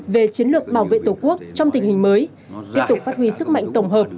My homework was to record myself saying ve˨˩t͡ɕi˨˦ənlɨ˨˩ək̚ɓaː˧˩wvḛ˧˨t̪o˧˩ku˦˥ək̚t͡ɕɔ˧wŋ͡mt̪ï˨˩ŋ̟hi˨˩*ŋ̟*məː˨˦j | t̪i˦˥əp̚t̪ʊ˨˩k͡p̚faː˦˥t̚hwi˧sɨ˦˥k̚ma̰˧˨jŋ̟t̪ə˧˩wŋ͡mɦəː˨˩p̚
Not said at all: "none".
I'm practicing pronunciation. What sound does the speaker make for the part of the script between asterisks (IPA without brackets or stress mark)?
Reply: ŋ̟